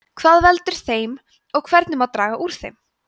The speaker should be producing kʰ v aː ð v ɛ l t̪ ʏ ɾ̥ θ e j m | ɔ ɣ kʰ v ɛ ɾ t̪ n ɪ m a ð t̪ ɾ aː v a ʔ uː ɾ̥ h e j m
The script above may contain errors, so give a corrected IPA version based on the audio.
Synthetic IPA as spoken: kʰ v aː ð v ɛ l t̪ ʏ ɾ̥ θ e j m | ɔ ɣ kʰ v ɛ ɾ t̪ n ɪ m a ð t̪ ɾ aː ɣ a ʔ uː ɾ̥ θ e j m